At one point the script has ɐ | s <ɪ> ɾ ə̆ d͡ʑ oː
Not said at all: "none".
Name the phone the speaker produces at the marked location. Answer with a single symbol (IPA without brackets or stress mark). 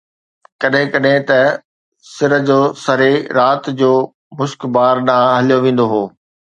ɪ